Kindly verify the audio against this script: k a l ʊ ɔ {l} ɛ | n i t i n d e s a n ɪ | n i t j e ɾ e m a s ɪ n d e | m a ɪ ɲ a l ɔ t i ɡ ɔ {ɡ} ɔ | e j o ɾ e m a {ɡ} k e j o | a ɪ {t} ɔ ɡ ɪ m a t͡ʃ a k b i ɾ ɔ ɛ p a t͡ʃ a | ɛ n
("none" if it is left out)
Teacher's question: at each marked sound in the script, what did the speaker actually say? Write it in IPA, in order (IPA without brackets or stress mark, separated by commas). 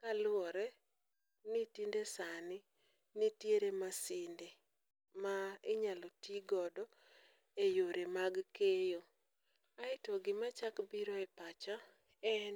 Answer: ɾ, d, ɡ, t